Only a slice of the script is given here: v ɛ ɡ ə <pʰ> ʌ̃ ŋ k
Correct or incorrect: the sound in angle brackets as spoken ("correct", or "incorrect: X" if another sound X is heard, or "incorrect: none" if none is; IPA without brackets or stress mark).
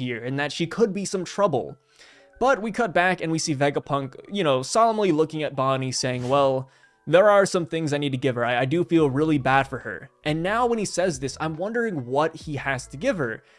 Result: correct